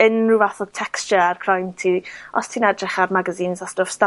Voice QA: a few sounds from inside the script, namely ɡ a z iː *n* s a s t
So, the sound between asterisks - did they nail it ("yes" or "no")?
yes